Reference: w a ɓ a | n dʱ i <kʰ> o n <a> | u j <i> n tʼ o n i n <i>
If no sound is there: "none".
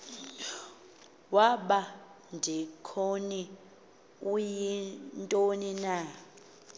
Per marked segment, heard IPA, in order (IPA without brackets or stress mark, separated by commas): kʰ, i, i, a